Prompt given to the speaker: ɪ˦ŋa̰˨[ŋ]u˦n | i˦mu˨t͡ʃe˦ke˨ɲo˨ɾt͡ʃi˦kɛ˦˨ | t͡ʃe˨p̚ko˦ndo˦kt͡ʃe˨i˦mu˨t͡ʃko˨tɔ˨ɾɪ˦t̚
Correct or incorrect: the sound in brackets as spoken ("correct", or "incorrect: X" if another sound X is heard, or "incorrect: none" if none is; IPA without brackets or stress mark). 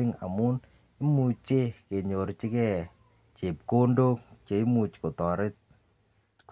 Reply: incorrect: m